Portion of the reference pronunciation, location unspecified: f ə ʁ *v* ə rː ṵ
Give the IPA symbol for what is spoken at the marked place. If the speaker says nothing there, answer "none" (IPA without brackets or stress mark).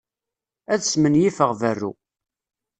v